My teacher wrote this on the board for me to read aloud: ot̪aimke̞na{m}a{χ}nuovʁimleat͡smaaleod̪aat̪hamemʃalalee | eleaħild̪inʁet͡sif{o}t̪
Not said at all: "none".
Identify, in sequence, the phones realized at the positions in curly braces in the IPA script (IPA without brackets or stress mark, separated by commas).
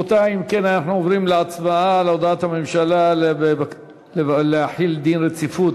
n, ħ, u